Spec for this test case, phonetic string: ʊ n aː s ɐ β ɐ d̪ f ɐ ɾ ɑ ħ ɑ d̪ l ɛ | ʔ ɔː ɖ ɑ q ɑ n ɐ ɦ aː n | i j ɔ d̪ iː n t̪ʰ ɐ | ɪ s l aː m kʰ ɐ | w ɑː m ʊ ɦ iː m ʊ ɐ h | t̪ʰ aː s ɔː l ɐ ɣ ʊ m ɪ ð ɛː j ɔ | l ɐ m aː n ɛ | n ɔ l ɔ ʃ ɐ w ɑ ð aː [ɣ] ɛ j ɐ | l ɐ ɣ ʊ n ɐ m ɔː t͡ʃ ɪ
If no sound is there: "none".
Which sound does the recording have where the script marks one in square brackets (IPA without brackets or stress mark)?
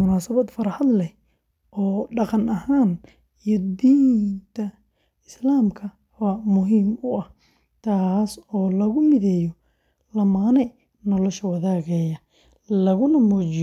ɣ